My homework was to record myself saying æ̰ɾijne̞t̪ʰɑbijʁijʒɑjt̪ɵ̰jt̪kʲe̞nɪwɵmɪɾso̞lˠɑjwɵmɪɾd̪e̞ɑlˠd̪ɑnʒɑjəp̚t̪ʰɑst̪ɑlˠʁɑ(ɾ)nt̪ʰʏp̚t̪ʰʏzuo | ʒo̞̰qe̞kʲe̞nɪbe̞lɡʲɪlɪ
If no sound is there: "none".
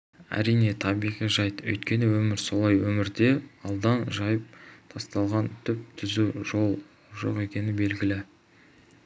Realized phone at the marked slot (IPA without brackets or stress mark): none